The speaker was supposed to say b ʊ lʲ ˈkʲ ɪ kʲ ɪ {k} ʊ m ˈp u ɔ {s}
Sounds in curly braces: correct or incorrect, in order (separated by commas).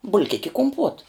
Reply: correct, incorrect